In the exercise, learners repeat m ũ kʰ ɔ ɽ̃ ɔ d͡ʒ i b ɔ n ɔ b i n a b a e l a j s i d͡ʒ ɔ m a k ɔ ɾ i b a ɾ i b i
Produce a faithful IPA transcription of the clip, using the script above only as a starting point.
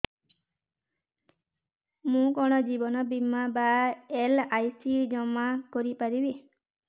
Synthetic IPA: m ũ k ɔ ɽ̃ ɔ d͡ʒ i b ɔ n ɔ b i m a b a e l a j s i d͡ʒ ɔ m a k ɔ ɾ i p a ɾ i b i